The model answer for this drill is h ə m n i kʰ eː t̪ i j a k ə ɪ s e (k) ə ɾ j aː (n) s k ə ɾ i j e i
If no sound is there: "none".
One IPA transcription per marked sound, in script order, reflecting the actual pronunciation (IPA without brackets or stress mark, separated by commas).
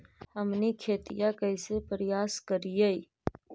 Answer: p, none